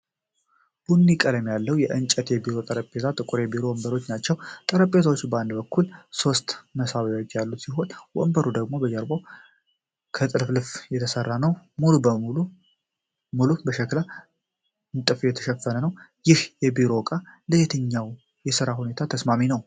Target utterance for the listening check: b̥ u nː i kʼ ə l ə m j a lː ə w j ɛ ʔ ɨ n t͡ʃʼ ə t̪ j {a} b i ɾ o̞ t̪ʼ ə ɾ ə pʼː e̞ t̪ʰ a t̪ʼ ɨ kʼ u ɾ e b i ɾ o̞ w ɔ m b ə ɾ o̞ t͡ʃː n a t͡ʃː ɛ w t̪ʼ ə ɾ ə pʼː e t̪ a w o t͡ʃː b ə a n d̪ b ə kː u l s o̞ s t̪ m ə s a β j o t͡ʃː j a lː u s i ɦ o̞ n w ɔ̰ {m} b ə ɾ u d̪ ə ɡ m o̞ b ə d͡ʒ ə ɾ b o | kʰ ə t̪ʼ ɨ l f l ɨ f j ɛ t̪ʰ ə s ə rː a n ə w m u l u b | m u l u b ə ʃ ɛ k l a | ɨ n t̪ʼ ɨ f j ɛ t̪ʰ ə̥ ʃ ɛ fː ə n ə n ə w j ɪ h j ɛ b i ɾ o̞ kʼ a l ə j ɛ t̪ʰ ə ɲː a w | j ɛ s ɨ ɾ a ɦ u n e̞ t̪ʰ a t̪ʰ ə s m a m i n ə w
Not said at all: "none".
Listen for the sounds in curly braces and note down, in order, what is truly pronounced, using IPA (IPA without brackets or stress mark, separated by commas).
ɛ, m